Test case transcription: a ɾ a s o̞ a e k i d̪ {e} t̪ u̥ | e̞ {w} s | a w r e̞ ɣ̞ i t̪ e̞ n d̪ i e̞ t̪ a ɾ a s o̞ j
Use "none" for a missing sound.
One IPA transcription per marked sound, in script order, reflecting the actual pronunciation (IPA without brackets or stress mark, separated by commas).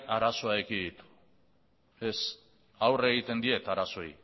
i, none